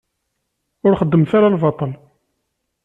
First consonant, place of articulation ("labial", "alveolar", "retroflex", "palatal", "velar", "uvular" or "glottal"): alveolar